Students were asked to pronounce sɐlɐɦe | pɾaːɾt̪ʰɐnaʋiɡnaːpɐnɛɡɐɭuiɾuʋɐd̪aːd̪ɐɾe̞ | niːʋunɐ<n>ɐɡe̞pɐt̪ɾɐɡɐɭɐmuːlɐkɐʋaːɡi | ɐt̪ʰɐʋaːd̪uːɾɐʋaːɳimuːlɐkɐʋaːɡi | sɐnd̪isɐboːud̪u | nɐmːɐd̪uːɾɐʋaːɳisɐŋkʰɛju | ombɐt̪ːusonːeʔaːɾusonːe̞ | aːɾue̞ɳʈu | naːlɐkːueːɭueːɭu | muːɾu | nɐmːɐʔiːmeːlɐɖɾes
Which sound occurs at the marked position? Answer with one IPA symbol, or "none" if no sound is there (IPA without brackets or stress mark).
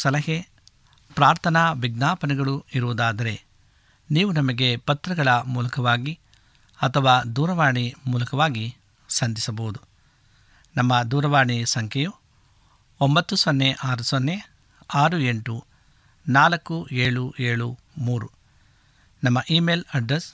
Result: m